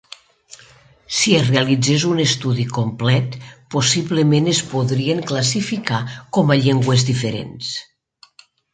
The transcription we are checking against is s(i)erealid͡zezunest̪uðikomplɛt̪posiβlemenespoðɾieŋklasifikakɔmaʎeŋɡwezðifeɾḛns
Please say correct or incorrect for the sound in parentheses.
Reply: correct